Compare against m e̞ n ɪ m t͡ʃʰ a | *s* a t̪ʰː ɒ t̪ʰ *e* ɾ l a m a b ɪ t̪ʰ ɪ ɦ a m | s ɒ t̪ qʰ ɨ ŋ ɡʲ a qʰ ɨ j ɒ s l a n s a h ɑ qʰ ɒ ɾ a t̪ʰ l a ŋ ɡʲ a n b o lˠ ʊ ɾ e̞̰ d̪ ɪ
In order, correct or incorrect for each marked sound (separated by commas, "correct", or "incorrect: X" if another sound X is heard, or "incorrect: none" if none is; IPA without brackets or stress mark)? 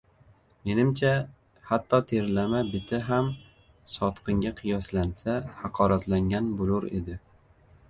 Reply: incorrect: h, correct